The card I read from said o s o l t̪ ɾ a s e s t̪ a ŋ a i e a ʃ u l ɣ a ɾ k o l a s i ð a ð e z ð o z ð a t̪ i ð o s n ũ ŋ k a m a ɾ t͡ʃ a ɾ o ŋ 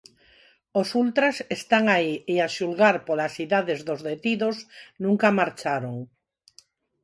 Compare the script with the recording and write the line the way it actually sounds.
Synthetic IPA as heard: o s u l t̪ ɾ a s e s t̪ a ŋ a i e a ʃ u l ɣ a ɾ p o l a s i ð a ð e z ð o z ð e t̪ i ð o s n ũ ŋ k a m a ɾ t͡ʃ a ɾ o ŋ